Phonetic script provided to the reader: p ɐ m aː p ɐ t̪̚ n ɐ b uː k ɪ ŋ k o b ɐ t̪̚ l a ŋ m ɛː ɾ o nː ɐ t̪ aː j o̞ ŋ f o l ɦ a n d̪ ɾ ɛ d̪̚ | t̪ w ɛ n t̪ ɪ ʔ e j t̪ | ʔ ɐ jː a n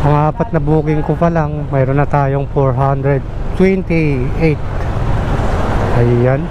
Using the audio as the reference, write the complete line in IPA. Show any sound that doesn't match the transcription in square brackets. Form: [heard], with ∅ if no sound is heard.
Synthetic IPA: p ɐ [ŋ] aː p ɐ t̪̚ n ɐ b uː k ɪ ŋ k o [p] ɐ [∅] l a ŋ m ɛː ɾ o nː ɐ t̪ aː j o̞ ŋ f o [ɹ] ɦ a n d̪ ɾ ɛ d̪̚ | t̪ w ɛ n t̪ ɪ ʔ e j t̪ | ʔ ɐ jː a n